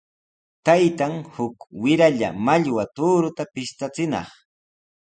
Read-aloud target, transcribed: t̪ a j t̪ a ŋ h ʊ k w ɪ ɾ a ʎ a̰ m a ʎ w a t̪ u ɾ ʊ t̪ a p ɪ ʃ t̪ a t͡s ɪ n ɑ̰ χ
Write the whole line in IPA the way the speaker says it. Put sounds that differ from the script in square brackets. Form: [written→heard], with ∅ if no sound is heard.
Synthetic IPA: t̪ a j t̪ a ŋ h ʊ k w ɪ ɾ a ʎ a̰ m a ʎ w a t̪ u ɾ ʊ t̪ a p ɪ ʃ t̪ a t͡s ɪ n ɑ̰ χ